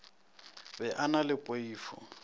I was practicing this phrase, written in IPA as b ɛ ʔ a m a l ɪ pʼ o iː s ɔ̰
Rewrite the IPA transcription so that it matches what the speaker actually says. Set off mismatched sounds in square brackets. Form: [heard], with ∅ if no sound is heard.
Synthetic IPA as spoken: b ɛ ʔ a [n] a l ɪ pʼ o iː [f] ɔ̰